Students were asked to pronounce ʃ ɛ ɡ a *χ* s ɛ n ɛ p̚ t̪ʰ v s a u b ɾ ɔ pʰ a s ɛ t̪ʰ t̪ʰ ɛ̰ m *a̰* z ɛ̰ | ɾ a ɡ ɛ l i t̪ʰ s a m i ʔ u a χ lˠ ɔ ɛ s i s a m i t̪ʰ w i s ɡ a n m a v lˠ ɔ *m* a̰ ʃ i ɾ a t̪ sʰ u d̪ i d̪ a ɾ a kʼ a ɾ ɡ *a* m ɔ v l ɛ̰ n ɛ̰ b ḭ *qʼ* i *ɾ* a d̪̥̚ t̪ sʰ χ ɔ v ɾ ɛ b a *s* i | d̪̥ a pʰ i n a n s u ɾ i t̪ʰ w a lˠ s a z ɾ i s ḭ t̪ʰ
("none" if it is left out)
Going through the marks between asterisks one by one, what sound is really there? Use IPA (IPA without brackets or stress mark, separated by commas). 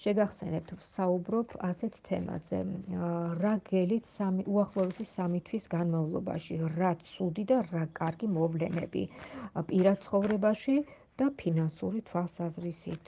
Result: χ, a̰, b, i, pʼ, ɾ, ʃ